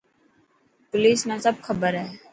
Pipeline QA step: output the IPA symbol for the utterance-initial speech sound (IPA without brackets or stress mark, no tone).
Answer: p